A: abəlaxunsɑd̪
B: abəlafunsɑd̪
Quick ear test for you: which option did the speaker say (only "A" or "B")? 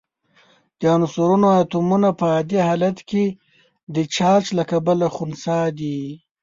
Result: A